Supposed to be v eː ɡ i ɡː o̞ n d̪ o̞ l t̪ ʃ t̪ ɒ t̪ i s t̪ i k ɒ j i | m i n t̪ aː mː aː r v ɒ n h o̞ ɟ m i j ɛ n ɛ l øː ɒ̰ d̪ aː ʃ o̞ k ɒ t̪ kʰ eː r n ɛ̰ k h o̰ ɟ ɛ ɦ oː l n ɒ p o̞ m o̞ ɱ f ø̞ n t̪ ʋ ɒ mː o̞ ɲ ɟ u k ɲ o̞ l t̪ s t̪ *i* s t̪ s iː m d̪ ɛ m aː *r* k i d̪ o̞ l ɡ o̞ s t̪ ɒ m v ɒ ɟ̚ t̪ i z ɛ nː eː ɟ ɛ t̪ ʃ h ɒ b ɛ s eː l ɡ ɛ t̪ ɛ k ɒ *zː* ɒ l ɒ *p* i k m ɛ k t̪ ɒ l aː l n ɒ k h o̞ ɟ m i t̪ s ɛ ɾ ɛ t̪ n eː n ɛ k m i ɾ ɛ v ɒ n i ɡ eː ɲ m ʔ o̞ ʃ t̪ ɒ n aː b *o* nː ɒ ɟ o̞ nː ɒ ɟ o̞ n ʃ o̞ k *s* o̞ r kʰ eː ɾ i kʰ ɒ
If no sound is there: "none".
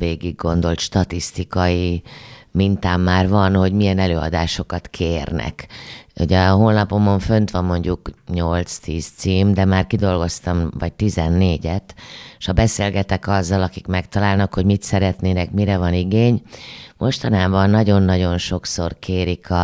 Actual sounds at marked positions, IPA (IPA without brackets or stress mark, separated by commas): iː, r, zː, k, ɒ, s